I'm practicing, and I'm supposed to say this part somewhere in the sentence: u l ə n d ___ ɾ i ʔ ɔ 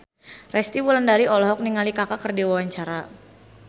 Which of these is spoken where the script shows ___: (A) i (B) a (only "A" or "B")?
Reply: B